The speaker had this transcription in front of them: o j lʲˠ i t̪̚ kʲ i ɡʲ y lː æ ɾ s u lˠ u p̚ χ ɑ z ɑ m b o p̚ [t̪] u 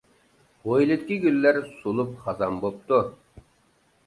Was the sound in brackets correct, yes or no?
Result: yes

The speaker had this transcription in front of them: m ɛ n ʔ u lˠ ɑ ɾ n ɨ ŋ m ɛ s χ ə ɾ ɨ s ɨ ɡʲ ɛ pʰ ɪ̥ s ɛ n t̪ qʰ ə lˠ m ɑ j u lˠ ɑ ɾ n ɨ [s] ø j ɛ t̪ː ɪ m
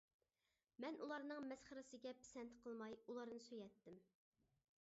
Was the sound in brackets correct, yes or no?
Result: yes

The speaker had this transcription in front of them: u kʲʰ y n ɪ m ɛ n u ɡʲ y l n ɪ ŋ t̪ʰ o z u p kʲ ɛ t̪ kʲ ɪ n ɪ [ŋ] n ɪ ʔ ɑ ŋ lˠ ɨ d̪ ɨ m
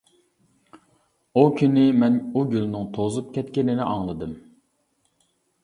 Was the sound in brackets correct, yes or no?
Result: no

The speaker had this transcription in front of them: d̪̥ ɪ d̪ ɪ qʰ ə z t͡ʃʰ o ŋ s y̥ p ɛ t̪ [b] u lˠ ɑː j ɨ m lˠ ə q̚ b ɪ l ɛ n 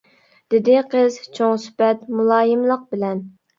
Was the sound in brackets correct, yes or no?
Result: no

